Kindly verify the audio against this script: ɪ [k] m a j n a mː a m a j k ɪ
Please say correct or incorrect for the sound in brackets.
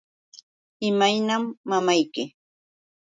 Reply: incorrect